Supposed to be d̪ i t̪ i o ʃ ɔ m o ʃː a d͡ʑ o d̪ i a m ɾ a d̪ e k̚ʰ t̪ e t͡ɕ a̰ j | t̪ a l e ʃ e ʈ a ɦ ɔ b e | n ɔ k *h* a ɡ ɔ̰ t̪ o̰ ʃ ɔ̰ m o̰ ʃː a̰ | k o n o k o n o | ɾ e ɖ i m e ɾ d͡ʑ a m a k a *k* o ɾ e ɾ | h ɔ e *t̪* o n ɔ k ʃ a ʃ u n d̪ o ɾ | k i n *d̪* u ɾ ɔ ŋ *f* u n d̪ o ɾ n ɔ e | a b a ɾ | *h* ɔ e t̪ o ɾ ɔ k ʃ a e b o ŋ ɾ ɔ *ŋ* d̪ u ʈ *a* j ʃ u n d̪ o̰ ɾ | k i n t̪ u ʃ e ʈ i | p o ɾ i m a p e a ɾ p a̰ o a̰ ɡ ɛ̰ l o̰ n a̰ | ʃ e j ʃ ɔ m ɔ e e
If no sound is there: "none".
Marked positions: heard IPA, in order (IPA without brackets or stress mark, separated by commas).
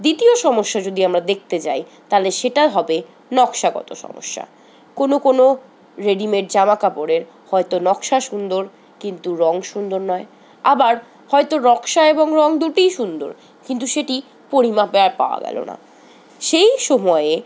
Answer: ʃ, p, t̪, t̪, ʃ, h, ŋ, i